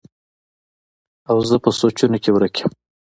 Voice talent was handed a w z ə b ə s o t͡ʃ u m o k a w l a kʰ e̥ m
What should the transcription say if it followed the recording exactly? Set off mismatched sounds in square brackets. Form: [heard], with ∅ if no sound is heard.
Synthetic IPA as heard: a w z ə [p] ə s o t͡ʃ u [n] o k [e] w [ɾ] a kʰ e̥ m

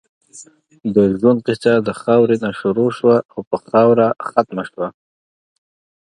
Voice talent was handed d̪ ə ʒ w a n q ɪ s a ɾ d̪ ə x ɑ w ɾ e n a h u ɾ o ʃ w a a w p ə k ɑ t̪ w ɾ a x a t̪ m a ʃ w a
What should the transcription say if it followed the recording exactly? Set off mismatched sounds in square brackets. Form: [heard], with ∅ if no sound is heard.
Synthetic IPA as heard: d̪ ə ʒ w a n q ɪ s a [∅] d̪ ə x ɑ w ɾ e n a [ʃ] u ɾ o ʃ w a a w p ə [x] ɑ [∅] w ɾ a x a t̪ m a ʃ w a

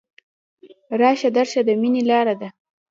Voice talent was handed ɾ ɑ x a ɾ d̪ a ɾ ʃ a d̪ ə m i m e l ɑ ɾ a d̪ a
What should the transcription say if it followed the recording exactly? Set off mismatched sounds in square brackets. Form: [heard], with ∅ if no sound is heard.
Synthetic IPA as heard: ɾ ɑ [ʃ] a [∅] d̪ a ɾ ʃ a d̪ ə m i [n] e l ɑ ɾ a d̪ a

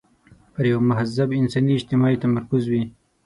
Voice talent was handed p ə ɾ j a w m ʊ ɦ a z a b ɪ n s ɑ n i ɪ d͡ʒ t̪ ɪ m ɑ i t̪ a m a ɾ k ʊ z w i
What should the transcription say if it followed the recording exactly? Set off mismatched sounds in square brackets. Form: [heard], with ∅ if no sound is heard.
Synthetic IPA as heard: p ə ɾ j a w m ʊ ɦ a z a b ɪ n s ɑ n i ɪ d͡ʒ t̪ ɪ m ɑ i t̪ a m a ɾ k ʊ z w i

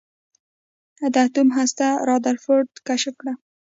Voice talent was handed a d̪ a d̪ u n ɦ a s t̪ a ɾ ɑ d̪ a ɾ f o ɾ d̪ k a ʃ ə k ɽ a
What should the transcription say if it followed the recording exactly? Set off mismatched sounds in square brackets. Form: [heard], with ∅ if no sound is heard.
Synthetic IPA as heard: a d̪ a [t̪] u [m] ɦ a s t̪ a ɾ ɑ d̪ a ɾ f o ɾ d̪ k a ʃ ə k ɽ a

